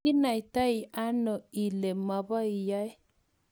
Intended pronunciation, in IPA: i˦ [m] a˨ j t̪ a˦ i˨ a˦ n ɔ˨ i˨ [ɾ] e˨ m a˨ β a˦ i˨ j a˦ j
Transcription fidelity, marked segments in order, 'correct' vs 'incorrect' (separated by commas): incorrect, incorrect